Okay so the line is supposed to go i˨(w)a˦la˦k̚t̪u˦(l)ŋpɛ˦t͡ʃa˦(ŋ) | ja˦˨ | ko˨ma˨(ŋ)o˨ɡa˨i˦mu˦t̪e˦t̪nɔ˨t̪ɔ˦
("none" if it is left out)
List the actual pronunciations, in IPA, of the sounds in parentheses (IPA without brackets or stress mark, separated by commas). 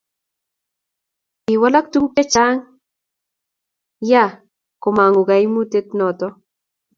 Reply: w, none, ŋ, ŋ